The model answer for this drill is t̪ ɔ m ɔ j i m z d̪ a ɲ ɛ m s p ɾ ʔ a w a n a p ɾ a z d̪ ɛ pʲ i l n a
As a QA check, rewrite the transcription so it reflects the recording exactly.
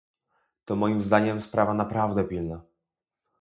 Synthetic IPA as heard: t̪ ɔ m ɔ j i m z d̪ a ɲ ɛ m s p ɾ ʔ a v a n a p ɾ a v d̪ ɛ pʲ i l n a